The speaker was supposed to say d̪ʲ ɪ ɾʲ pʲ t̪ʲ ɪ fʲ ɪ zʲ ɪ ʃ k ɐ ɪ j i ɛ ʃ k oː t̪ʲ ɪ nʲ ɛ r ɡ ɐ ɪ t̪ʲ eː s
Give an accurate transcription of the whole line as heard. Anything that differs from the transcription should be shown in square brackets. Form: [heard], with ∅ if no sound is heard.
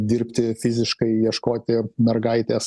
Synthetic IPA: d̪ʲ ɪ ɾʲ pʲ t̪ʲ ɪ fʲ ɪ zʲ ɪ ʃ k ɐ ɪ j i ɛ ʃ k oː t̪ʲ ɪ [mʲ] ɛ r ɡ ɐ ɪ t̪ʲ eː s